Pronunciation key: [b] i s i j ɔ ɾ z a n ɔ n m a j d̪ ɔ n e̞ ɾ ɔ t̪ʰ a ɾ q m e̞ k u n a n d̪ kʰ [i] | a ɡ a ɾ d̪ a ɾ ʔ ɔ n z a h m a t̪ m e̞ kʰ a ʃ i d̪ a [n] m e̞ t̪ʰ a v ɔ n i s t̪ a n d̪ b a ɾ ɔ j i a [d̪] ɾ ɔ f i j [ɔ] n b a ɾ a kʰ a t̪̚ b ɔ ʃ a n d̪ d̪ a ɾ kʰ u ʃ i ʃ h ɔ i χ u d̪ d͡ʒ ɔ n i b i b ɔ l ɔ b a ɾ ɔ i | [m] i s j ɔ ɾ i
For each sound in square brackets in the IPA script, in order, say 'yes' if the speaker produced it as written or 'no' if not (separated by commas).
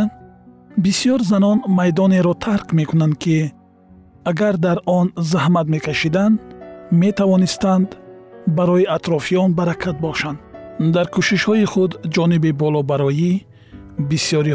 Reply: yes, yes, yes, no, yes, no